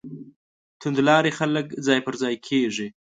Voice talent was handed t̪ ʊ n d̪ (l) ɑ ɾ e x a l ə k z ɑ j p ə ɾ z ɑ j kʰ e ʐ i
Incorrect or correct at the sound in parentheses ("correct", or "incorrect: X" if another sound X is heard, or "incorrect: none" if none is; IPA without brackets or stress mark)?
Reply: correct